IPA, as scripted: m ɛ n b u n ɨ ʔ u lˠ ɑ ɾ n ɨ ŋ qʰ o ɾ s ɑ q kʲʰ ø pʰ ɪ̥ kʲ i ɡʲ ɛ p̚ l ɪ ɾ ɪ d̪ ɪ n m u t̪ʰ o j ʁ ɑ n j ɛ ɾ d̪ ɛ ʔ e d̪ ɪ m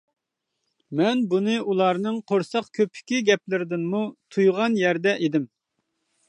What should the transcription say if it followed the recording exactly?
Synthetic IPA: m ɛ n b u n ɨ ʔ u lˠ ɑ ɾ n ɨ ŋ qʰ o ɾ s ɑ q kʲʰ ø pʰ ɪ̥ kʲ i ɡʲ ɛ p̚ l ɪ ɾ ɪ d̪ ɪ n m u t̪ʰ u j ʁ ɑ n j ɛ ɾ d̪ ɛ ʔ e d̪ ɪ m